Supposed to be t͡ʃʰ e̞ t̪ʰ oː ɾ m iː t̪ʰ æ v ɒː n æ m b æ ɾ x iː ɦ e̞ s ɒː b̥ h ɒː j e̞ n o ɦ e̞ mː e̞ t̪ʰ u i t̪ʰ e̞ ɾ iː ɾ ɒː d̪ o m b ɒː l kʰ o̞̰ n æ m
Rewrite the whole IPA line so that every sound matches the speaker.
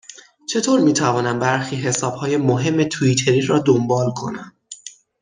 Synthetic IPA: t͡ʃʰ e̞ t̪ʰ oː ɾ m iː t̪ʰ æ v ɒː n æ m b æ ɾ x iː ɦ e̞ s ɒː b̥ h ɒː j e̞ m o ɦ e̞ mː e̞ t̪ʰ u i t̪ʰ e̞ ɾ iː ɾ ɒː d̪ o m b ɒː l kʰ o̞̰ n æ m